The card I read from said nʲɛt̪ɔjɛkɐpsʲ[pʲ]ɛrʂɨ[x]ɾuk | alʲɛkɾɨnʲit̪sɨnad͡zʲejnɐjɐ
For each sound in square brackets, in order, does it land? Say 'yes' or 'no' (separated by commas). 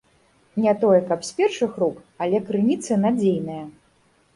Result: yes, yes